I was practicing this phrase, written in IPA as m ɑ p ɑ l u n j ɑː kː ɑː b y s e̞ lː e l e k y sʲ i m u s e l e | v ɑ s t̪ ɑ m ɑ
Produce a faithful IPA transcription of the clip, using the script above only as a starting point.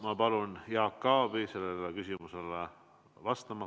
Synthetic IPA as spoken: m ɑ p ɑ l u n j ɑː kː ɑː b i s e̞ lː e l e k y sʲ i m u s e l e | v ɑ s t̪ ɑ m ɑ